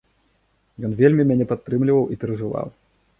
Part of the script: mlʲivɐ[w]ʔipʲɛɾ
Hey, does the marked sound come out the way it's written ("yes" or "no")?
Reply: yes